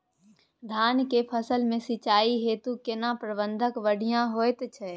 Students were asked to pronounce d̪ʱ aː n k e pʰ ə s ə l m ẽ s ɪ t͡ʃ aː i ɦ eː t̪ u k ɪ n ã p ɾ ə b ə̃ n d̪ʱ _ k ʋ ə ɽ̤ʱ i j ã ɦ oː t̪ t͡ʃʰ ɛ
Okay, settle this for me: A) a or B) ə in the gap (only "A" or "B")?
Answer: B